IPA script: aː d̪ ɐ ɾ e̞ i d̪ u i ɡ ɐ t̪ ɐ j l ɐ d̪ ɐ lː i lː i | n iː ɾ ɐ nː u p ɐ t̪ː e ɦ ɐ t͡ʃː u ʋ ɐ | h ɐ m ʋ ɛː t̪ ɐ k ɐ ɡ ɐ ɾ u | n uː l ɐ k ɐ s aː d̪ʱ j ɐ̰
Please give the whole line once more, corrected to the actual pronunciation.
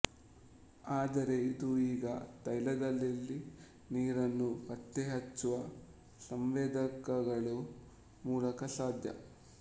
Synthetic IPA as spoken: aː d̪ ɐ ɾ e̞ i d̪ u iː ɡ ɐ t̪ ɐ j l ɐ d̪ ɐ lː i lː i | n iː ɾ ɐ nː u p ɐ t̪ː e ɦ ɐ t͡ʃː u ʋ ɐ | s ɐ m ʋ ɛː d̪ ɐ k ɐ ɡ ɐ ɭ u | m uː l ɐ k ɐ s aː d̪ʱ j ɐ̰